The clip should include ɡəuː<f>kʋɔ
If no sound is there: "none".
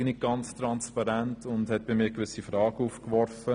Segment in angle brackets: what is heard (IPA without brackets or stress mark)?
f